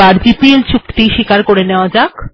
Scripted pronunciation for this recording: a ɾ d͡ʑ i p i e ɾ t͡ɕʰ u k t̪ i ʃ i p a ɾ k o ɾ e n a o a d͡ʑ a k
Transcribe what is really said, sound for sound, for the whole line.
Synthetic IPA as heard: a ɾ d͡ʑ i p i e l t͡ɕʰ u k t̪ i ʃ i k a ɾ k o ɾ e n e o a d͡ʑ a k